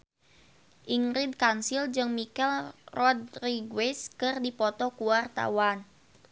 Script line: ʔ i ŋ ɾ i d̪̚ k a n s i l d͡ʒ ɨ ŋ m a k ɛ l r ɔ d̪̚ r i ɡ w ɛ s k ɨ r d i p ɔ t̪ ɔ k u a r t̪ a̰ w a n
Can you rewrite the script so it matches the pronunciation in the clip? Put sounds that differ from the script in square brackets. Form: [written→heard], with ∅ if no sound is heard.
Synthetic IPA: ʔ i ŋ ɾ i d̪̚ k a n s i l d͡ʒ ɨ ŋ m [a→i] k ɛ l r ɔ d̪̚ r i ɡ w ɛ s k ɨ r d i p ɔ t̪ ɔ k u a r t̪ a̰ w a n